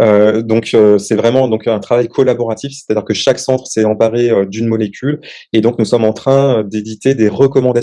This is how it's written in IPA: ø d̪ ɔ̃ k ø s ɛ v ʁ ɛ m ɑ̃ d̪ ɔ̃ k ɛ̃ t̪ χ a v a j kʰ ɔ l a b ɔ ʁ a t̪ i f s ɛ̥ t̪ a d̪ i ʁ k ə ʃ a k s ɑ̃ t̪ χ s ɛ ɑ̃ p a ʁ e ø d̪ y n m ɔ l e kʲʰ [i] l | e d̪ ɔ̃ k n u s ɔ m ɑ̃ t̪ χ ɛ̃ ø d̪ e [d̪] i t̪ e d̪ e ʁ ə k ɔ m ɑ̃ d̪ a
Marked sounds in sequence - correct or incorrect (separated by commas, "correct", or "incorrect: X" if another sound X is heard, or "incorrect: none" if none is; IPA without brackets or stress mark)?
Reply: incorrect: y, correct